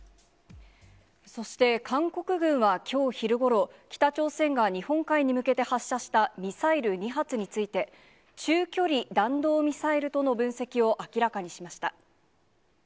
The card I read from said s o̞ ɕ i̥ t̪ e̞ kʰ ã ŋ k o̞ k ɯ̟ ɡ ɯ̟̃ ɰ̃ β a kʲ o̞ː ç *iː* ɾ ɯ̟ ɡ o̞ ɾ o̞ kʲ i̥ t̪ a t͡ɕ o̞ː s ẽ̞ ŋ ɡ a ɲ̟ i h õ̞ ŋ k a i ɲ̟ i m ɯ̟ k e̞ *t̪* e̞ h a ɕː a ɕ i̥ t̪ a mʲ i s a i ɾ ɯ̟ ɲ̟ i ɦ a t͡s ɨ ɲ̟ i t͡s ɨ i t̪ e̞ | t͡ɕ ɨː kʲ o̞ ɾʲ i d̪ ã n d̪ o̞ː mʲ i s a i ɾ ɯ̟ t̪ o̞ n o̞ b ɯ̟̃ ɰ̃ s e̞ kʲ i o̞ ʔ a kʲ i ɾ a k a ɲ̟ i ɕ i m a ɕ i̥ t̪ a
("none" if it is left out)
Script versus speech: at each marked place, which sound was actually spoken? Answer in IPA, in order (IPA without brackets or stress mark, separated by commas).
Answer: i, t̪